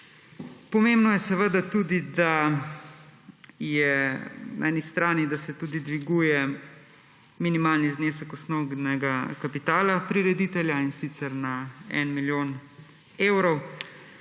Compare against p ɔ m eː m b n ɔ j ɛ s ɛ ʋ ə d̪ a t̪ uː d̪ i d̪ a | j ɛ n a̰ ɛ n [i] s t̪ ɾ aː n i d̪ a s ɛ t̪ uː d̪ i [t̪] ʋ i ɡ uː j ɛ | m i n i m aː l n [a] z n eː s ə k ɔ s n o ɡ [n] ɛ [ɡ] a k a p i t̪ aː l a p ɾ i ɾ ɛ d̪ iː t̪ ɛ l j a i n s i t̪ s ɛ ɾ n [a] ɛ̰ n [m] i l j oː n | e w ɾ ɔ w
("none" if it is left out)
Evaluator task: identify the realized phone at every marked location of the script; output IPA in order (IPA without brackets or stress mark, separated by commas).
i, d̪, i, n, ɡ, a, m